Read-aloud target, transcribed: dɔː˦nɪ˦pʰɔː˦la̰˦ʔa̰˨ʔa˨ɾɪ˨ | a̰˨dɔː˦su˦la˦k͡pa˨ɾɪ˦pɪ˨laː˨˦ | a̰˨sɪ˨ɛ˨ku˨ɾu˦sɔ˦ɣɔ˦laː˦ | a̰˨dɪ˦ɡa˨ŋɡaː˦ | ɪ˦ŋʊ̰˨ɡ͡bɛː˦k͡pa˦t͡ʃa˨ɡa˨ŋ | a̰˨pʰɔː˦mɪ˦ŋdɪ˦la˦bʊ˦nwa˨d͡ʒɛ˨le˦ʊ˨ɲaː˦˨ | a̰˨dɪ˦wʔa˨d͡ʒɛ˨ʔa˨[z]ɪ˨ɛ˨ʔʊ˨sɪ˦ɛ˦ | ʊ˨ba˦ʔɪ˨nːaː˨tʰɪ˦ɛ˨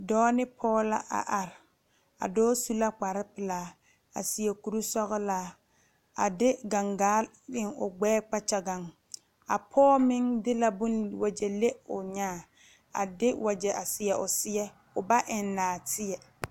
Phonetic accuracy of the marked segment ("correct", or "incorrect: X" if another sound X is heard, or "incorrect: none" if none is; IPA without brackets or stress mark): incorrect: s